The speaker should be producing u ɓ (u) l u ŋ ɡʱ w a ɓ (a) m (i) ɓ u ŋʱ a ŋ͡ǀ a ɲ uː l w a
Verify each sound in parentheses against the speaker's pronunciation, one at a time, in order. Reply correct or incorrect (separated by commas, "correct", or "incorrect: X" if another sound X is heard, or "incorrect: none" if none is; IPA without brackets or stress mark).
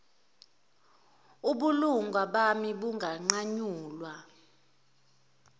correct, correct, correct